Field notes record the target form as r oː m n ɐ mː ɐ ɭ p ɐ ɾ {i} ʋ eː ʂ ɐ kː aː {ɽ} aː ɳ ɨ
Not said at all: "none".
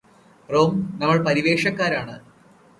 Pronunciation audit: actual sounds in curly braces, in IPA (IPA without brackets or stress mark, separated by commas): i, ɾ